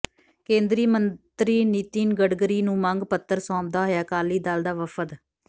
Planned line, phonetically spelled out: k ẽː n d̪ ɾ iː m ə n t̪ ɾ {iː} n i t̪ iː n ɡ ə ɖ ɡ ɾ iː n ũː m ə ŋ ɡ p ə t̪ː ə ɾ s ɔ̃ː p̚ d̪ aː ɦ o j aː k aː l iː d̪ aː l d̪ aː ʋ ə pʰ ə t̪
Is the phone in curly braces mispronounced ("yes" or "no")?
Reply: no